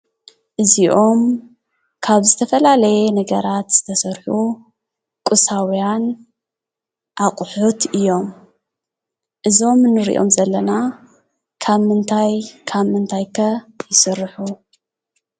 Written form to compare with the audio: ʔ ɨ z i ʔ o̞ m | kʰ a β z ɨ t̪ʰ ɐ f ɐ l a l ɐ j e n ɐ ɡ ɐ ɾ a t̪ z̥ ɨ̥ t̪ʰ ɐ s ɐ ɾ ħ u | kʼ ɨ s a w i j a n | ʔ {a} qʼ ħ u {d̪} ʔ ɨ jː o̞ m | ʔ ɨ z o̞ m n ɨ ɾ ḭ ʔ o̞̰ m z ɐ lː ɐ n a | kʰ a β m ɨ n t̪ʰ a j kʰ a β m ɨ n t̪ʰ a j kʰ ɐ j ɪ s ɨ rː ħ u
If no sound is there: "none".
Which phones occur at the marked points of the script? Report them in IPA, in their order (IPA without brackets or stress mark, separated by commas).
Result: a, t̪